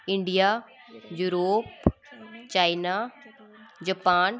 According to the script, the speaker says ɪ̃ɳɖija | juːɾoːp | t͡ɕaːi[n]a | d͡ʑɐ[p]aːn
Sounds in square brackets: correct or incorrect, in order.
correct, correct

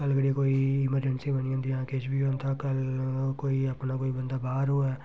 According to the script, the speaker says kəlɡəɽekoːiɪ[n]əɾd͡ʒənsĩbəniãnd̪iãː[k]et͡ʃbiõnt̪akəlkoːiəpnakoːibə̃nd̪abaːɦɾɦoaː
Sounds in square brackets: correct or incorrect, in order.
incorrect: m, correct

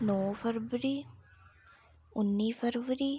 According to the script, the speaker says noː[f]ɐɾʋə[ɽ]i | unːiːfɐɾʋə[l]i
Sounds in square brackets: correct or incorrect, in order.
correct, incorrect: ɾ, incorrect: ɾ

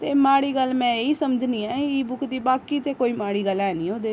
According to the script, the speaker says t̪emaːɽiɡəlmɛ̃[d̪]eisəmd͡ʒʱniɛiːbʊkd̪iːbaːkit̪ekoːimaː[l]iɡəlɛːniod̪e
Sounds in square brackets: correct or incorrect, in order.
incorrect: none, incorrect: ɽ

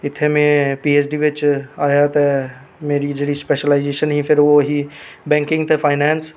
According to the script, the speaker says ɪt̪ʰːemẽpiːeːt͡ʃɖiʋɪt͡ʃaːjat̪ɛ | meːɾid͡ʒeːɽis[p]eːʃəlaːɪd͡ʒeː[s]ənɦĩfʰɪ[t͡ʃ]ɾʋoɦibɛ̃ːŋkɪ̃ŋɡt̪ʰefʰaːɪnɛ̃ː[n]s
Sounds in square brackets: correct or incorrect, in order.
correct, incorrect: ʃ, incorrect: none, correct

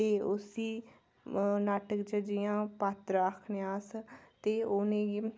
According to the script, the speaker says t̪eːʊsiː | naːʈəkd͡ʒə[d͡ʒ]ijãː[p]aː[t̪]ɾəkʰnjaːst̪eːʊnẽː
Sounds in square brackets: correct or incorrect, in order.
correct, correct, correct

